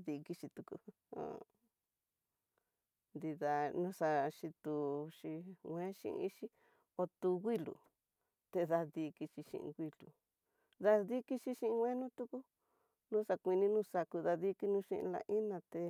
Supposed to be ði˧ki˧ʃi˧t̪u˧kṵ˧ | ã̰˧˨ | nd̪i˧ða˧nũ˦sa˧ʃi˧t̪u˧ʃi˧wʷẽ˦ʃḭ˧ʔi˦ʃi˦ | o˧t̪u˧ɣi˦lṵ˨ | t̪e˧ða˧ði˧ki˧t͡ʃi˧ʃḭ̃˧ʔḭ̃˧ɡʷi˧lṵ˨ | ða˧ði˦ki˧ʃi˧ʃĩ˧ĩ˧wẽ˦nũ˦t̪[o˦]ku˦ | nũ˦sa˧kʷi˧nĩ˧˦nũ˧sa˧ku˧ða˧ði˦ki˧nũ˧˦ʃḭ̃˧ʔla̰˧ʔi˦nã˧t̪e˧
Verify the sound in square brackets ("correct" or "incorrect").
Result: incorrect